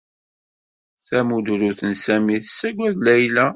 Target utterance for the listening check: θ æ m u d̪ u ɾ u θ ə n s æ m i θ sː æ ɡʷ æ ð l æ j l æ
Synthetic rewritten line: θ æ m u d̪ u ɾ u θ ə n s æ m i θ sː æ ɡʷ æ ð l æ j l æ